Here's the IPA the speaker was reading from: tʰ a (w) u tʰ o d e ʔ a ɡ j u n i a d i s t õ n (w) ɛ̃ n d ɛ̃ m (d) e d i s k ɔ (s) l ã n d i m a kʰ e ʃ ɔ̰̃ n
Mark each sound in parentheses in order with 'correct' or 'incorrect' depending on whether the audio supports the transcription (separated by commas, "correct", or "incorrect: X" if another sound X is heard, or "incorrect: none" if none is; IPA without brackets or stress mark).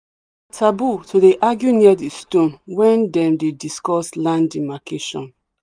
incorrect: b, correct, correct, correct